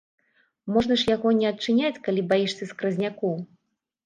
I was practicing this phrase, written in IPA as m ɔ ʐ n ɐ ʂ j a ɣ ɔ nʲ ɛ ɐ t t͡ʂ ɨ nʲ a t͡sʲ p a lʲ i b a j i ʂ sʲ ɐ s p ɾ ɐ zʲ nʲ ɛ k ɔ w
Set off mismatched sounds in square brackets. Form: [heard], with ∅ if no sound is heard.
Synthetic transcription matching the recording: m ɔ ʐ n ɐ ʂ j a ɣ ɔ nʲ ɛ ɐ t t͡ʂ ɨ nʲ a t͡sʲ [k] a lʲ i b a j i ʂ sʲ ɐ s [k] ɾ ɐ zʲ nʲ [a] k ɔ w